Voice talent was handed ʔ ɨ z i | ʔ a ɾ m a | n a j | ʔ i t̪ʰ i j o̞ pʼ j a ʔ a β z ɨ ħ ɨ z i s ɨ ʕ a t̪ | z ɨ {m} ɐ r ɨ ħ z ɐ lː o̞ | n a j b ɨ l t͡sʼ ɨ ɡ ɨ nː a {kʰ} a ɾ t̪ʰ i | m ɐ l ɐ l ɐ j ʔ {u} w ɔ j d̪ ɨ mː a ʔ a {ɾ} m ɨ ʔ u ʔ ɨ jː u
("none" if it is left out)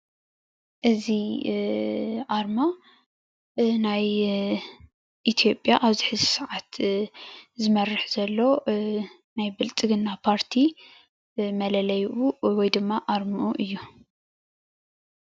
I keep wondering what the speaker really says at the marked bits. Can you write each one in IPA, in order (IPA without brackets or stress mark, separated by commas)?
m, pʰ, u, ɾ